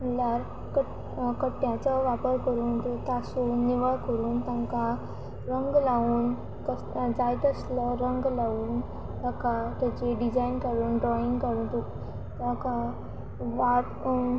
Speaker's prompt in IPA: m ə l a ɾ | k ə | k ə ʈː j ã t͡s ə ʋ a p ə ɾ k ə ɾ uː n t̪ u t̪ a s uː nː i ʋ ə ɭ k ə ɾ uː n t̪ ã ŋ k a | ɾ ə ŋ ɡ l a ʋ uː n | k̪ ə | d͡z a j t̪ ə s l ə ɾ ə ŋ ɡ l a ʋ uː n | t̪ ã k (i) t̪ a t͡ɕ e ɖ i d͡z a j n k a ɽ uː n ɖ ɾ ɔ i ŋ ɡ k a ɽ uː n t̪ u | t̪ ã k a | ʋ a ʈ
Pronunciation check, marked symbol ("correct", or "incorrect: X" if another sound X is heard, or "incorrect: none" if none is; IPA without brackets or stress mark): incorrect: a